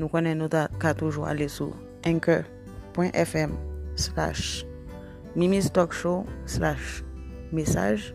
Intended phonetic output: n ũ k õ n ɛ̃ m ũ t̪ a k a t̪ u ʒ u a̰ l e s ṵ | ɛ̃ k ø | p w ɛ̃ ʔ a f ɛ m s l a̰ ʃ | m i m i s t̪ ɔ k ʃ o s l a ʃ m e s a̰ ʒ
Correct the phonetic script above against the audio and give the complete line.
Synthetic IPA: n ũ k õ n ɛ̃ n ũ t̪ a k a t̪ u ʒ u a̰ l e s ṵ | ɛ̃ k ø | p w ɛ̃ ʔ ɛ f ɛ m s l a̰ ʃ | m i m i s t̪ ɔ k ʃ o s l a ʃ m e s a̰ ʒ